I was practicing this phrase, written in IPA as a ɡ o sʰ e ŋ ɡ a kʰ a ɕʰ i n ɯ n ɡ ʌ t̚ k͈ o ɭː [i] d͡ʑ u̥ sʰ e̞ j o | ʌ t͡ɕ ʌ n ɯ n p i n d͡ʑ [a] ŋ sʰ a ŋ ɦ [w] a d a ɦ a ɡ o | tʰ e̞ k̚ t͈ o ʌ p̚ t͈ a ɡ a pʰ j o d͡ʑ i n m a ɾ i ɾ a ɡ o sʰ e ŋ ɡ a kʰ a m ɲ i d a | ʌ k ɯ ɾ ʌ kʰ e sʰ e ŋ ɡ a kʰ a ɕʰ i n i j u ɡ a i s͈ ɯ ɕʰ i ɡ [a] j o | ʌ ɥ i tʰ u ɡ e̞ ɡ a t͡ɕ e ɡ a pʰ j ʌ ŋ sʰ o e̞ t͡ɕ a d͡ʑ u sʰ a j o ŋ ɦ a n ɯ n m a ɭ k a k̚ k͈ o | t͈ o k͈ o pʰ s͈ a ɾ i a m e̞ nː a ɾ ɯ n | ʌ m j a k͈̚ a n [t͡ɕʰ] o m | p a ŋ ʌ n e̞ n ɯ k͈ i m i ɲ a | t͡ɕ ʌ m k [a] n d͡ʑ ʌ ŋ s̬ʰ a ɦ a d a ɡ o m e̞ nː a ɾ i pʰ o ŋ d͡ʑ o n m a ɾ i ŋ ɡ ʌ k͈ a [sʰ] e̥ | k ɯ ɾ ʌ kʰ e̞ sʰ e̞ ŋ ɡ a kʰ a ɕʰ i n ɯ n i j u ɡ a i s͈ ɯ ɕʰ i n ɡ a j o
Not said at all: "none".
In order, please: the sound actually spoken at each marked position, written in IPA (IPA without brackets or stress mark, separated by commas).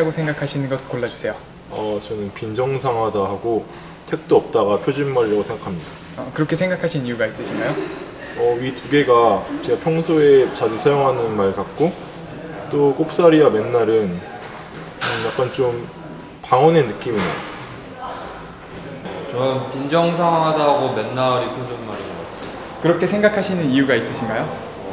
a, ʌ, w, a, t͡ɕ, i, tʰ